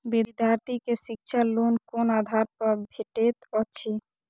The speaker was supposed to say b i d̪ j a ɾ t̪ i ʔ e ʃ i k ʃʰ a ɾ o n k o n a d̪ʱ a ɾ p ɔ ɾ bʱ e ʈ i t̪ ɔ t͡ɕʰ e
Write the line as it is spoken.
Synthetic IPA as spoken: b i d̪ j a ɾ t̪ i k e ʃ i k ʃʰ a l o n k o n a d̪ʱ a ɾ p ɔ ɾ bʱ e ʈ e t̪ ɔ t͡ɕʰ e